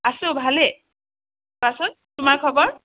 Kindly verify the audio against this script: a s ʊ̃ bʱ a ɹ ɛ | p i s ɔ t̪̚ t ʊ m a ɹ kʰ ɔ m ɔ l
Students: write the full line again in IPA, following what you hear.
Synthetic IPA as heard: a s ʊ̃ bʱ a l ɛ | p a s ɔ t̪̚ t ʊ m a ɹ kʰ ɔ b ɔ ɹ